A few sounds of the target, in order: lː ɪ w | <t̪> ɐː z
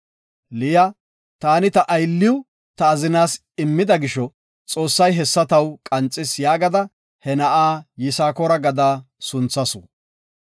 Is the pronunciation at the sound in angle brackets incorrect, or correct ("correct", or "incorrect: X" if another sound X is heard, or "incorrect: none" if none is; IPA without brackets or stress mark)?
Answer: correct